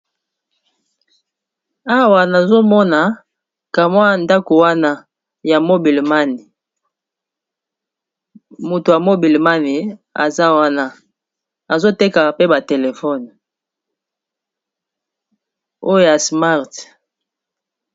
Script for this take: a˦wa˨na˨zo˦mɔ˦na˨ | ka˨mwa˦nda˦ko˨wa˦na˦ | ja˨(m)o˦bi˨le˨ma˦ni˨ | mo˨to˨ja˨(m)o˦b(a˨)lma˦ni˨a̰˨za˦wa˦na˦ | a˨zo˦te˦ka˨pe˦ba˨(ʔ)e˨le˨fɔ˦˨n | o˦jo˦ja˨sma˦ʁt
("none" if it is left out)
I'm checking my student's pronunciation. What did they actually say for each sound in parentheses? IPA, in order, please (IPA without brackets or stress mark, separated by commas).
m, m, i˨, t